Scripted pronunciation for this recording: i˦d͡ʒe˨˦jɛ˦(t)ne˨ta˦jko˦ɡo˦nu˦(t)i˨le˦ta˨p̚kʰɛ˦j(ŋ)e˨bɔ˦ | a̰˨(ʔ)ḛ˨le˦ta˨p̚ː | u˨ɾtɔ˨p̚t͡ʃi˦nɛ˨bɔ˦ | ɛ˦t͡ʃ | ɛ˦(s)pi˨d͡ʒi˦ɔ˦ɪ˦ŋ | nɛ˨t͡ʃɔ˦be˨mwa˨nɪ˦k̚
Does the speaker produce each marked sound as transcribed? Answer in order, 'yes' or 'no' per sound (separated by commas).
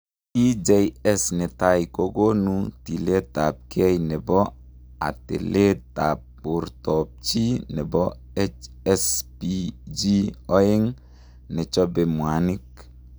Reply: no, yes, no, no, yes